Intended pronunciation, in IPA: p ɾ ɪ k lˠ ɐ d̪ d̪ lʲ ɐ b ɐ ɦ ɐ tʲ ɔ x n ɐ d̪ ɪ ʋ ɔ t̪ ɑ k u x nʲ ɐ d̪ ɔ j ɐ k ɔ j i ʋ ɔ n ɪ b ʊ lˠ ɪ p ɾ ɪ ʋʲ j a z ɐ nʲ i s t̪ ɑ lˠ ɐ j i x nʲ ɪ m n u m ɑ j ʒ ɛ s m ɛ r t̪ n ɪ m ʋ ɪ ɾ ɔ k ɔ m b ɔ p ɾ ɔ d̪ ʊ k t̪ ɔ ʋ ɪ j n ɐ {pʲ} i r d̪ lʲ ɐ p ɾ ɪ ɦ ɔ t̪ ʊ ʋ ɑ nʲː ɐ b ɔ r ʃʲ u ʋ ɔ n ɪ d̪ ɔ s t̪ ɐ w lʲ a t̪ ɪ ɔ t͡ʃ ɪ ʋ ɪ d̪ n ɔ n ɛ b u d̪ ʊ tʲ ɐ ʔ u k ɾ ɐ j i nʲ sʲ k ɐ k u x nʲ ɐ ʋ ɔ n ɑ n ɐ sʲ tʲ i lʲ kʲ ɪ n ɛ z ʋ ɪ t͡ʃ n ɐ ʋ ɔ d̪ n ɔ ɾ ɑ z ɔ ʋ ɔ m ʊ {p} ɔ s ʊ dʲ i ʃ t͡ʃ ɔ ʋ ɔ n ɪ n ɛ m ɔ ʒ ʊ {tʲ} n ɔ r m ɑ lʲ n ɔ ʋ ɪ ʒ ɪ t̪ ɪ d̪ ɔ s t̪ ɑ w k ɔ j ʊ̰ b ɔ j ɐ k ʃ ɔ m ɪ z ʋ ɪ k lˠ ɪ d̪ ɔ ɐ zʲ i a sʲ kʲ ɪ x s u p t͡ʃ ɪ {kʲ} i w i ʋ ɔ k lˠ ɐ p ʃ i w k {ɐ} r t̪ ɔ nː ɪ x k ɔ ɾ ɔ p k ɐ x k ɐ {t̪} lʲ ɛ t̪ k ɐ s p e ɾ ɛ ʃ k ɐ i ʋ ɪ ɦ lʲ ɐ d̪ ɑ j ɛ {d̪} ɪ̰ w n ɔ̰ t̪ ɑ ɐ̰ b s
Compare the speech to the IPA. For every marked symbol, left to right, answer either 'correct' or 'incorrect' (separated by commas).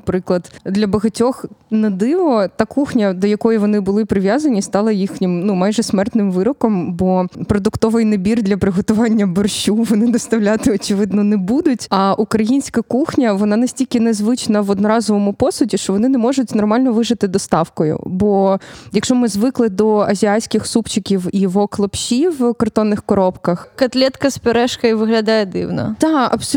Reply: incorrect, correct, correct, correct, correct, correct, correct